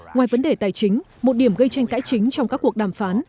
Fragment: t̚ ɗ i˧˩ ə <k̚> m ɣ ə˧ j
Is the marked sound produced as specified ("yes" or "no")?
no